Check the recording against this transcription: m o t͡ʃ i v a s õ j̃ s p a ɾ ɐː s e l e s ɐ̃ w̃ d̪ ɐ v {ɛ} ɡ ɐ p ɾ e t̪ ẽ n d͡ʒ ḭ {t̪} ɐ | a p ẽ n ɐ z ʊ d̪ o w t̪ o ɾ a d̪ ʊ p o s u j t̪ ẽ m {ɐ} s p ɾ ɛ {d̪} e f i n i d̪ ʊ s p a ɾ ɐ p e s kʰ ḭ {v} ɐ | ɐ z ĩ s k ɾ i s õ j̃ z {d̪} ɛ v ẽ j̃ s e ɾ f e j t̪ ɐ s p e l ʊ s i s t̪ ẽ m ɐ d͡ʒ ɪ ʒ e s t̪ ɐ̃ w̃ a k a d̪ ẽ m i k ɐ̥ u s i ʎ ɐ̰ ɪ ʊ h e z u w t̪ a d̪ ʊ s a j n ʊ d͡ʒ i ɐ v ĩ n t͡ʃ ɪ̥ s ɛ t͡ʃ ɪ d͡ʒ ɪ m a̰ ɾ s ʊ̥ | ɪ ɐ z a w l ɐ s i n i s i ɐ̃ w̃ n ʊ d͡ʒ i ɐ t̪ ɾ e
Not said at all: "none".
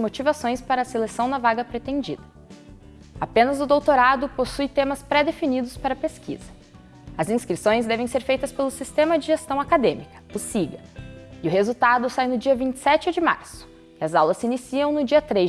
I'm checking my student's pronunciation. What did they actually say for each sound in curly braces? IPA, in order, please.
a, d̪, ɐ, d̪, z, d̪

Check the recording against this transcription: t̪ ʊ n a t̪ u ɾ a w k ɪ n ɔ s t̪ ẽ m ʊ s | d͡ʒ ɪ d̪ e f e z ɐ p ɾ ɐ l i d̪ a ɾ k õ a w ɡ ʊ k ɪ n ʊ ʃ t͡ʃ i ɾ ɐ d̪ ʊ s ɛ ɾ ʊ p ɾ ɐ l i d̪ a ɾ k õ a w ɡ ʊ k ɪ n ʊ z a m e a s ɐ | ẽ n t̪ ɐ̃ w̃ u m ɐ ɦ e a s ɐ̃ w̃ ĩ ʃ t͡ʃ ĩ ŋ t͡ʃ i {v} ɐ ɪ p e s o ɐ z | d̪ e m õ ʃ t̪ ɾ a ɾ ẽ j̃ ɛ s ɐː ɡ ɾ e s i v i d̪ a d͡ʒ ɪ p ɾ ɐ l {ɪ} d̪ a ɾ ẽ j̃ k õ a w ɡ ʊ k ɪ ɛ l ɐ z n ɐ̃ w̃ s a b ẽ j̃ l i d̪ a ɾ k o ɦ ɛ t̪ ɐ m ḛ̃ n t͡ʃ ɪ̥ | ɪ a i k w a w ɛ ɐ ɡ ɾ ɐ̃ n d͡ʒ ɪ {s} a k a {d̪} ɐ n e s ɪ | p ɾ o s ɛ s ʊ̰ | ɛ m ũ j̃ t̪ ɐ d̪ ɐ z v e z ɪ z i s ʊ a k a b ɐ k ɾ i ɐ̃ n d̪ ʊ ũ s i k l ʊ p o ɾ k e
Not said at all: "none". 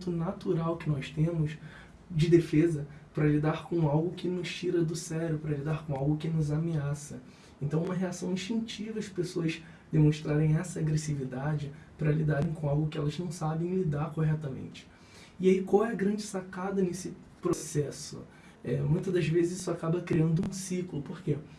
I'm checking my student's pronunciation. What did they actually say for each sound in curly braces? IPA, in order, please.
v, i, s, d̪

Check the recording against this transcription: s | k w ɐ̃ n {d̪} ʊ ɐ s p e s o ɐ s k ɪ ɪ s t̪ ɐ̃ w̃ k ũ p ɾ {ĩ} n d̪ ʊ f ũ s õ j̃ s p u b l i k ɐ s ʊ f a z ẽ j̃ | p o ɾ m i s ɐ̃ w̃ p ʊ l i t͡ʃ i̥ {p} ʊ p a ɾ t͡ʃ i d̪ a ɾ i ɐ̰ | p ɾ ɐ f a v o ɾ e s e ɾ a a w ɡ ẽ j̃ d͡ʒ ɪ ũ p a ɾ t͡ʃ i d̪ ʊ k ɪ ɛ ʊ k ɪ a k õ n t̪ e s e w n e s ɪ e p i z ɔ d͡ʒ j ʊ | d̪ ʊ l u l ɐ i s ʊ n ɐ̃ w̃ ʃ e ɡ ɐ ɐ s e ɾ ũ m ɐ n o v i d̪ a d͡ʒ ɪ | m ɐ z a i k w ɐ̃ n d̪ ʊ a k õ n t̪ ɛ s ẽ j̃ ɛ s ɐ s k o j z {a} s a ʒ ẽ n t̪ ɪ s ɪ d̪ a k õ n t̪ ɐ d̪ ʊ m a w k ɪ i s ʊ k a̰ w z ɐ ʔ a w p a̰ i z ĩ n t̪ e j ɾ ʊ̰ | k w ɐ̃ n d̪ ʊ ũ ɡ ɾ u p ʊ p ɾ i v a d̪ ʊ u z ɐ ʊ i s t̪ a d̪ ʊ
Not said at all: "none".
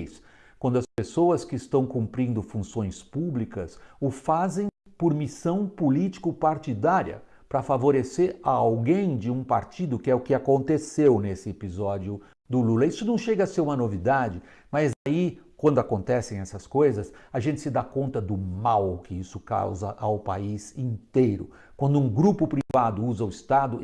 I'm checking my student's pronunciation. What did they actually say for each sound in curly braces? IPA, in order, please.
d̪, ĩ, k, ɐ

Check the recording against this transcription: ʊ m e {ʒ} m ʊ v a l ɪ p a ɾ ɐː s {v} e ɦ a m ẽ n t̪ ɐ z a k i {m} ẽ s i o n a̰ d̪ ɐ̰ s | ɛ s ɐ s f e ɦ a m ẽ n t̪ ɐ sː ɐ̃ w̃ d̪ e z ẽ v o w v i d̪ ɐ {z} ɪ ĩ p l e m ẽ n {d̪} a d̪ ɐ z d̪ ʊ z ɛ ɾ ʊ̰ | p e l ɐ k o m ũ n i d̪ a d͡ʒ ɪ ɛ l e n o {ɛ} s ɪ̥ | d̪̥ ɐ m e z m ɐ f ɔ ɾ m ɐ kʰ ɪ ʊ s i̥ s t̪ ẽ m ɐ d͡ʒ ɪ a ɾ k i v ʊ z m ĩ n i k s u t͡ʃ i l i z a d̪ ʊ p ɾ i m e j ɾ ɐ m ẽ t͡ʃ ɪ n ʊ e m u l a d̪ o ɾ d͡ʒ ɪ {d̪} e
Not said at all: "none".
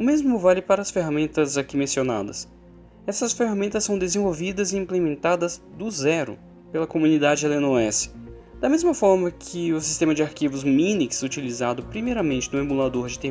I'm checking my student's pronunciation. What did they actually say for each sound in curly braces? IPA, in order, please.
z, f, m, z, t̪, ɛ, t̪

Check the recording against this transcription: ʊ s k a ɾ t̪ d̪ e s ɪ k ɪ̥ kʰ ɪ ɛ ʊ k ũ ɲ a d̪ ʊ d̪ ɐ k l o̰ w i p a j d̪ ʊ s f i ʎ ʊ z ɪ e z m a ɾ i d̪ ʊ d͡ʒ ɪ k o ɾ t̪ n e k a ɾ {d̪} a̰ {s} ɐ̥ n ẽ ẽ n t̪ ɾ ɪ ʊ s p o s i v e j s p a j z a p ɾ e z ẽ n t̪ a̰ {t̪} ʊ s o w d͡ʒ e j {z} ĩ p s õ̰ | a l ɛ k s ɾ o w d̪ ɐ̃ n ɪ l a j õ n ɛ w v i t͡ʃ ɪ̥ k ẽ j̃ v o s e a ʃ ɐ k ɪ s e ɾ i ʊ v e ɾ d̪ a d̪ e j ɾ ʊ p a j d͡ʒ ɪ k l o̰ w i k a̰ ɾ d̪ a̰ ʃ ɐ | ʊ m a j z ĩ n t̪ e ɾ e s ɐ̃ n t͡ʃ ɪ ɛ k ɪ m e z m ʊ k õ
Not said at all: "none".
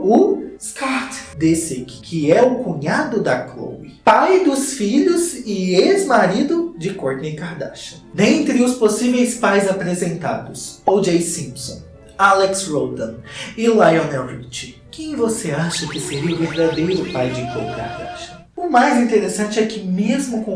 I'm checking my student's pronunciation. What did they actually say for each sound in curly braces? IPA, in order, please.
d̪, ʃ, d̪, s

